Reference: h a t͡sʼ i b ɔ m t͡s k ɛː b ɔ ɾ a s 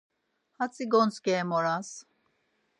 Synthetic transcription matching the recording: h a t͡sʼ i ɡ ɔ n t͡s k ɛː m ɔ ɾ a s